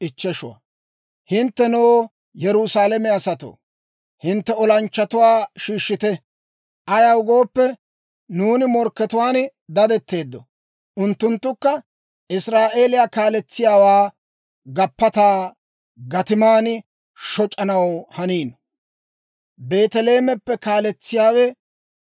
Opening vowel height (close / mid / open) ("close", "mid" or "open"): close